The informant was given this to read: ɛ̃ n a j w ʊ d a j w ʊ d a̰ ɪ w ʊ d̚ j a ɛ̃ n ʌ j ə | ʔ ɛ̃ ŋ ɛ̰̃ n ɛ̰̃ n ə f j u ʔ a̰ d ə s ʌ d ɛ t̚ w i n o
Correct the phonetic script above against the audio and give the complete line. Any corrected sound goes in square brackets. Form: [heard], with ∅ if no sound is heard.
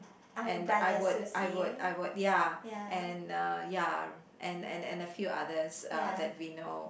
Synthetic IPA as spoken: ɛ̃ n a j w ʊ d a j w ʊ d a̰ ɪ w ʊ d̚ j a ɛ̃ n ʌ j [a] | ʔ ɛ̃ [n] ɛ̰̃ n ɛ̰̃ n ə f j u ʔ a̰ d ə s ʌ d ɛ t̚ w i n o